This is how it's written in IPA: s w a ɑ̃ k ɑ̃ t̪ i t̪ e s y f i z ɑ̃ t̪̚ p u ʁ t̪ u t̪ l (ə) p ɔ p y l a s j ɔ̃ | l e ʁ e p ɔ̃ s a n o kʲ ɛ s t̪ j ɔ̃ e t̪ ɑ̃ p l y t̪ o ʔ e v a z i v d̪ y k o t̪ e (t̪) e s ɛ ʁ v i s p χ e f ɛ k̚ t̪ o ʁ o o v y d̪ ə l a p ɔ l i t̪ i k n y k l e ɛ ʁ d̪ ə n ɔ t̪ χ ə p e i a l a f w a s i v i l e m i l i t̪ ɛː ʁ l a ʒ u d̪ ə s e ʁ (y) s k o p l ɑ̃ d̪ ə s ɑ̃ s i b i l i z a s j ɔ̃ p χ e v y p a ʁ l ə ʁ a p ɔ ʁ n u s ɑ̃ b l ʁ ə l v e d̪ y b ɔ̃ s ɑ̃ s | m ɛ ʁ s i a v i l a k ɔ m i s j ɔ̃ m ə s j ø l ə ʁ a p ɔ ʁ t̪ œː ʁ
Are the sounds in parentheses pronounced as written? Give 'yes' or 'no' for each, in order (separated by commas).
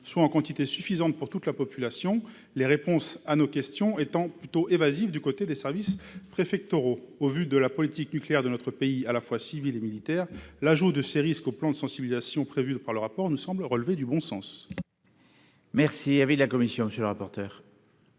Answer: no, no, no